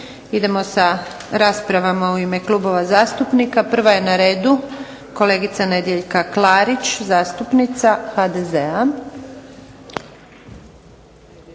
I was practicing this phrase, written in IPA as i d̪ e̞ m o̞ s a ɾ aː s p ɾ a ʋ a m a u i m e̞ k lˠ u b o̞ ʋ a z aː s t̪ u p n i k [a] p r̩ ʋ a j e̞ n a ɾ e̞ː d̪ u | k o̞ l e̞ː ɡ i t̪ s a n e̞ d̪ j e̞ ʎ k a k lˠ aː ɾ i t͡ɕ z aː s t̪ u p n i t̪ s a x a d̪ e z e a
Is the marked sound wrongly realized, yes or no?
no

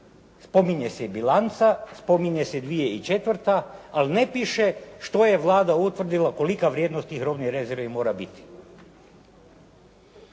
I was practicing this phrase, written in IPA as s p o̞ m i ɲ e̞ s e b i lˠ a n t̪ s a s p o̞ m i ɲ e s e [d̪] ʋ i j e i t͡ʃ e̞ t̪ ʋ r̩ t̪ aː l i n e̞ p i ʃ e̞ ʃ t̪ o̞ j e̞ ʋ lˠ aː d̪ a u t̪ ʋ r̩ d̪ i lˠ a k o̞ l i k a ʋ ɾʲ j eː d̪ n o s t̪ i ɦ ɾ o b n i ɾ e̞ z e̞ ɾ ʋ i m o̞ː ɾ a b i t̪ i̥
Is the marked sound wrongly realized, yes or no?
no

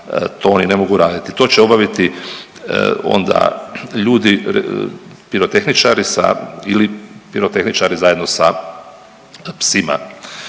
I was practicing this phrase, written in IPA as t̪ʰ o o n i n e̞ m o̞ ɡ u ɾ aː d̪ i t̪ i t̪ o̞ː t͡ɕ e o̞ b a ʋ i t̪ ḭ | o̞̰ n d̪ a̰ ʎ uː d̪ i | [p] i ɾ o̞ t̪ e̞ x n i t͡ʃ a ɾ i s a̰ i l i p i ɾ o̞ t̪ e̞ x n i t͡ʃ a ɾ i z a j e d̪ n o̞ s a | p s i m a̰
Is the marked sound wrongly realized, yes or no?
no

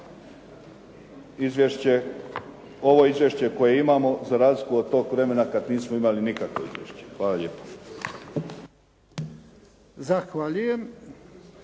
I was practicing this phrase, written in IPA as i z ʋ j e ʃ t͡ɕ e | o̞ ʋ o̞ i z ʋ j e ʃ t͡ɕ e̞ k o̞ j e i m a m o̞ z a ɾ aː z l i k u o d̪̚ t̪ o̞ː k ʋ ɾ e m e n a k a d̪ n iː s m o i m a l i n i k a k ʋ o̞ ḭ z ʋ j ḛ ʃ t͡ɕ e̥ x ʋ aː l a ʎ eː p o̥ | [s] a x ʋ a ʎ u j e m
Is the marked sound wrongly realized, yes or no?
yes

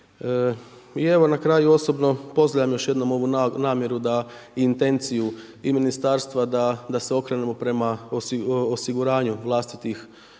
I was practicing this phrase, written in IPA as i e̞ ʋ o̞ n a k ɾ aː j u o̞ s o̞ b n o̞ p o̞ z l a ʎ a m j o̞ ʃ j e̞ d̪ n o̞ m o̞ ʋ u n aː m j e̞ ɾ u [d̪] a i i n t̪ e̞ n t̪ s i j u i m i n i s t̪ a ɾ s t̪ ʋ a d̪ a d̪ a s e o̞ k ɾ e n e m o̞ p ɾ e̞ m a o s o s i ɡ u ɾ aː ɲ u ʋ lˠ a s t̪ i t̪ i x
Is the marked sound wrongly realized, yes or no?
no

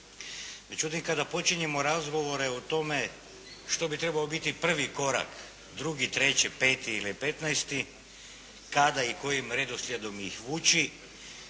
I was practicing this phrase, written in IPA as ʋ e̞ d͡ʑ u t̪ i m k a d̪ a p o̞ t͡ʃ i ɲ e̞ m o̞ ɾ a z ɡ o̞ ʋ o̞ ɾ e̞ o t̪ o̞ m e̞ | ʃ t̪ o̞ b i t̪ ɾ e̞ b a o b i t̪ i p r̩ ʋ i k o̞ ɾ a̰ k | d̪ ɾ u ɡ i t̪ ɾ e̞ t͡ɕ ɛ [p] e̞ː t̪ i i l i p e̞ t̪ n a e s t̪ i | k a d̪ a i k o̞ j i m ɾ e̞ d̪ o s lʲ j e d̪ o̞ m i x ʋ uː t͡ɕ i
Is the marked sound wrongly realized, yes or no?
no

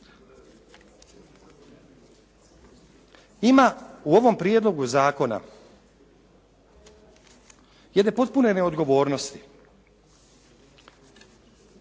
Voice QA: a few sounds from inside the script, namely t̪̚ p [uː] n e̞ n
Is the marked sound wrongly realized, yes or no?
yes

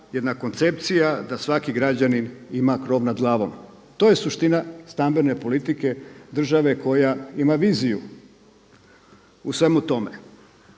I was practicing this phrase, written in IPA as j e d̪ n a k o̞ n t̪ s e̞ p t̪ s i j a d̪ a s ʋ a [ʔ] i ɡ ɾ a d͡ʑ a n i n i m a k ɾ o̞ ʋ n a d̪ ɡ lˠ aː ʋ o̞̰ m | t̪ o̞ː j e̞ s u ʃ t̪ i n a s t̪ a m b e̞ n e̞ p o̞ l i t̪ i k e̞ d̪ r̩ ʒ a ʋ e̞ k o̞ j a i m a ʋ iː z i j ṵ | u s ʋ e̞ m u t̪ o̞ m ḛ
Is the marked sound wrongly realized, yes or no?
yes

